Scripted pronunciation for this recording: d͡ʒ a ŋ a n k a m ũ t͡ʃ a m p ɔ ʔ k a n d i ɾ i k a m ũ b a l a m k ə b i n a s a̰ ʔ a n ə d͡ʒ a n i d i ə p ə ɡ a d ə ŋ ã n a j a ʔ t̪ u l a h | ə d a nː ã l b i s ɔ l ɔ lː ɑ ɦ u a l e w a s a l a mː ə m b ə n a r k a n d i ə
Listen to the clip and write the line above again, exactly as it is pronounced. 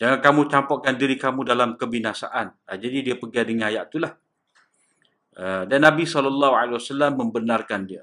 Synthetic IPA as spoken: d͡ʒ a ŋ a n k a m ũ t͡ʃ a m p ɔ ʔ k a n d i ɾ i k a m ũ d a l a m k ə b i n a s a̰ ʔ a n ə d͡ʒ a d i d i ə p ə ɡ a d ə ŋ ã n a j a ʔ t̪ u l a h | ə d a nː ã b i s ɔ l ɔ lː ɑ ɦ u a l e w a s a l a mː ə m b ə n a r k a n d i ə